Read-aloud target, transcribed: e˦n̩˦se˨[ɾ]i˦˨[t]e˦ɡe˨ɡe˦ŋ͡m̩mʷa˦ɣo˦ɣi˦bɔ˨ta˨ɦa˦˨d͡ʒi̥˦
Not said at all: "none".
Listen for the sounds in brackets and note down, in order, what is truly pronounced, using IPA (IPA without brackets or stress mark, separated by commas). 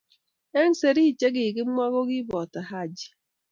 ɾ, t͡ʃ